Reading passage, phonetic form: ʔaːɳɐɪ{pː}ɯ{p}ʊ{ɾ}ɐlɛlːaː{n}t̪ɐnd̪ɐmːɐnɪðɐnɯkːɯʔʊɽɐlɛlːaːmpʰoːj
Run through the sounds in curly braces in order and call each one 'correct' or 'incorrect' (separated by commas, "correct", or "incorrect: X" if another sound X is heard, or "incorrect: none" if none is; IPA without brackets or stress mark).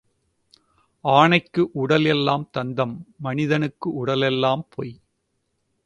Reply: incorrect: kː, incorrect: ʔ, incorrect: ɽ, incorrect: m